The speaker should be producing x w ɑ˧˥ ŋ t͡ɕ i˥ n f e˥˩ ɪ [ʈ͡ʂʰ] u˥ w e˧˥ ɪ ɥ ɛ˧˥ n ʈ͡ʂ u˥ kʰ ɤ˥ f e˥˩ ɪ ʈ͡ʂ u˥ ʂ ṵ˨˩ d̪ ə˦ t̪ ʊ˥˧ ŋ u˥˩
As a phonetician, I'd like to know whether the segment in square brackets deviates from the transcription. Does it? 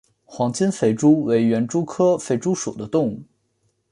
yes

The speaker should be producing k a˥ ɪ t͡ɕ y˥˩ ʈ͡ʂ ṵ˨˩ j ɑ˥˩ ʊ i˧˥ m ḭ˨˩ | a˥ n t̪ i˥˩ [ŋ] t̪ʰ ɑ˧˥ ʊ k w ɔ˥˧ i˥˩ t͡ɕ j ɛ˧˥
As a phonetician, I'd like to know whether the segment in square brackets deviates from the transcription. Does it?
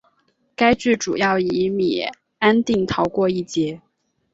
no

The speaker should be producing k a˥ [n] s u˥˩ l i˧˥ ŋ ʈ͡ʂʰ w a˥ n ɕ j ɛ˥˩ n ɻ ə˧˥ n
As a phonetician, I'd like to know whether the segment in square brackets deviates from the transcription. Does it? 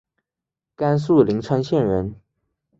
no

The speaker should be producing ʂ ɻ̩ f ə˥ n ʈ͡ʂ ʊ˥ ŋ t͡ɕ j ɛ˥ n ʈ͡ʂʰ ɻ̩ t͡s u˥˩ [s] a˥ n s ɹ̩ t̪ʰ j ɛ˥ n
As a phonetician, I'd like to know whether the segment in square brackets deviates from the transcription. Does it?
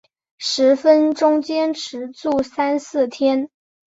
no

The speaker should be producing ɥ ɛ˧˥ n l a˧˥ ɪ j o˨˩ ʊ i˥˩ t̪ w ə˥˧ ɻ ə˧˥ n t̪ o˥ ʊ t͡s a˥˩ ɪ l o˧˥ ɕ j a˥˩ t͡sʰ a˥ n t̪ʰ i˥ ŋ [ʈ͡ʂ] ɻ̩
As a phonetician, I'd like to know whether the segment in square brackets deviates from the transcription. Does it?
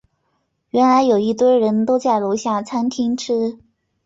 yes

